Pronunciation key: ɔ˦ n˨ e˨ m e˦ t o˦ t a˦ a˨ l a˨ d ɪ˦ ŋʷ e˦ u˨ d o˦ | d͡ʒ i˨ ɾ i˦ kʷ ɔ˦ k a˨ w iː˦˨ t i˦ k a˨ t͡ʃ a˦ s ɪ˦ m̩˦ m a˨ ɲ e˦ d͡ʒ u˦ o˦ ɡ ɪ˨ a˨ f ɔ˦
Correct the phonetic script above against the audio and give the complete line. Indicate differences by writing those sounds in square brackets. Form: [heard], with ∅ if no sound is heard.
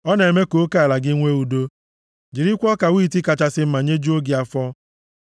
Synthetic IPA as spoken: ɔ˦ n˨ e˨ m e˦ [k] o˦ [k] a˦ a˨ l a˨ [ɡ] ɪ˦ ŋʷ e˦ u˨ d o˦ | d͡ʒ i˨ ɾ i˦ kʷ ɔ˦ k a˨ w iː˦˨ t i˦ k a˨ t͡ʃ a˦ s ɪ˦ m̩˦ m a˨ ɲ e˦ d͡ʒ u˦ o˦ ɡ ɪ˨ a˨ f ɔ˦